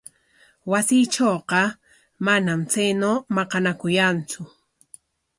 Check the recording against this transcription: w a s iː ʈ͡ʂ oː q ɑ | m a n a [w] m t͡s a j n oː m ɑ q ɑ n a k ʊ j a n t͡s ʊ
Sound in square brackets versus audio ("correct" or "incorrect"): incorrect